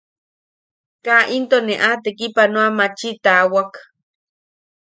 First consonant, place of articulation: velar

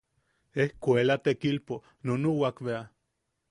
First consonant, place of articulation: glottal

